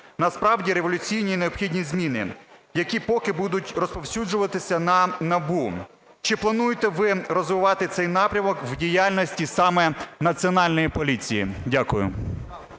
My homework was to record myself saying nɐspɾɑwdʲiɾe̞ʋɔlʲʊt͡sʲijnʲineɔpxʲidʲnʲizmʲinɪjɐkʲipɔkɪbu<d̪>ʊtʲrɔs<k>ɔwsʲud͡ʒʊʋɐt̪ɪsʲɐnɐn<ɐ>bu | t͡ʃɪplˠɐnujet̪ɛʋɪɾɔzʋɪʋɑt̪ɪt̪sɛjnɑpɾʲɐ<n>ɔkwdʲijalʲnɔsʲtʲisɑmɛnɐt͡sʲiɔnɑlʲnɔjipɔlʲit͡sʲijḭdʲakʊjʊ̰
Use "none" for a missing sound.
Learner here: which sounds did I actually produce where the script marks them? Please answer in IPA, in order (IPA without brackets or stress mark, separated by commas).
d̪, p, ɐ, m